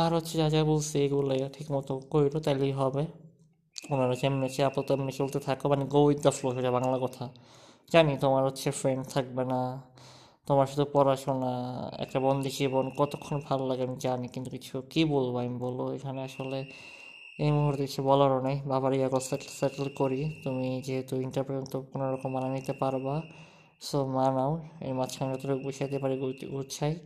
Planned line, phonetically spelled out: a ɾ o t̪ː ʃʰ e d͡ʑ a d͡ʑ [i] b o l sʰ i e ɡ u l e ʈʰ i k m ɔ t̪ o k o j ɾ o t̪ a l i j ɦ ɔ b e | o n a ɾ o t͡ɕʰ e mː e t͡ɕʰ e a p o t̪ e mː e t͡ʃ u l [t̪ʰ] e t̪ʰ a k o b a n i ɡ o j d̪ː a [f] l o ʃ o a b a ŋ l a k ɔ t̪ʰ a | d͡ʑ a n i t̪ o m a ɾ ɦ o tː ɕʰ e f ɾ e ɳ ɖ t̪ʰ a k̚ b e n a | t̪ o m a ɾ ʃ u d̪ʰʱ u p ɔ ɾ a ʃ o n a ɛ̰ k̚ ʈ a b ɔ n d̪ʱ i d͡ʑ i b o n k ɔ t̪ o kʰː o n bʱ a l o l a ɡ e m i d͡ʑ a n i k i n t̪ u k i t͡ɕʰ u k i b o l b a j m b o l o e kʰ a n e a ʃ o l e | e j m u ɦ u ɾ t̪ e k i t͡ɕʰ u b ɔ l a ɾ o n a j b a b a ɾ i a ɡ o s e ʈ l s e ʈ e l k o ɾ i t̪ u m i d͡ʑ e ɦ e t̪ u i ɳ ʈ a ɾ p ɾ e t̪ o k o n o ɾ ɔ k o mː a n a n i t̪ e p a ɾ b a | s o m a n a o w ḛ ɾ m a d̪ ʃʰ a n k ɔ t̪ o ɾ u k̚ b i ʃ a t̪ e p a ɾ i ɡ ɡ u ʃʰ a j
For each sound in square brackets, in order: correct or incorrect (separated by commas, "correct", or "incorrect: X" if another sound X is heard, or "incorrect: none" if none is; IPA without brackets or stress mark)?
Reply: incorrect: a, incorrect: t̪, correct